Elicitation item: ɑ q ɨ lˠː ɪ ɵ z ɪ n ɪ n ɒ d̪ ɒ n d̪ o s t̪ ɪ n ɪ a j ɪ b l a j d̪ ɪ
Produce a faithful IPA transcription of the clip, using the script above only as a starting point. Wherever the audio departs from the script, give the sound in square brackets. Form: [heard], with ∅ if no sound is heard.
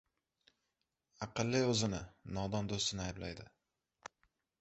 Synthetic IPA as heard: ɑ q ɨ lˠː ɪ ɵ z ɪ n ɪ n ɒ d̪ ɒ n d̪ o s t̪ ɪ n ɪ a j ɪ b l a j d̪ ɪ